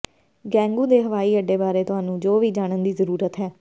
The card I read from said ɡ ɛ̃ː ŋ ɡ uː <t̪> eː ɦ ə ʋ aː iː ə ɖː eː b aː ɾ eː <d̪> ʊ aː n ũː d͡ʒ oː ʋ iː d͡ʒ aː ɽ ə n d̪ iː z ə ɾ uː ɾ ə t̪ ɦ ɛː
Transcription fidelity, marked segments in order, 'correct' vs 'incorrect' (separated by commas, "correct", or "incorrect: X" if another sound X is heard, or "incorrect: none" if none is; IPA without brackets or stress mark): incorrect: d̪, incorrect: t̪